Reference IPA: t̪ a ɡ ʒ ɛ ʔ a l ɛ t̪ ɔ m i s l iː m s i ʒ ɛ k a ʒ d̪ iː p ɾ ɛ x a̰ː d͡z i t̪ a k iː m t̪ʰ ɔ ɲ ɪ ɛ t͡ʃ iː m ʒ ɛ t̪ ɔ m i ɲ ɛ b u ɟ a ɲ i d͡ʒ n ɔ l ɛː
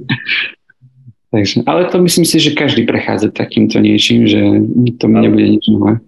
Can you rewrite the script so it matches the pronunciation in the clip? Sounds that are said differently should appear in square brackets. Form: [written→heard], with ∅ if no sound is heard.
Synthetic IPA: t̪ a ɡ ʒ ɛ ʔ a l ɛ t̪ ɔ m i s l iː m s i ʒ ɛ k a ʒ d̪ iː p ɾ ɛ x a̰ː d͡z [i→a] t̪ a k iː m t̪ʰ ɔ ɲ ɪ ɛ t͡ʃ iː m ʒ ɛ t̪ ɔ m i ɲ ɛ b u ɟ [a→ɛ] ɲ i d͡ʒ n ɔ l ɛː